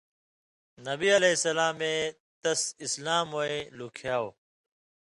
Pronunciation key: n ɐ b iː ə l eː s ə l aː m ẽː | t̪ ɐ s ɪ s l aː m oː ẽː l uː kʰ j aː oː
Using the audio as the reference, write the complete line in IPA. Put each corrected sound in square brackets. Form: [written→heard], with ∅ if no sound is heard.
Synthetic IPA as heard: n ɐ b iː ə l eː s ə l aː m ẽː | t̪ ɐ s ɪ s l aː m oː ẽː l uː kʰ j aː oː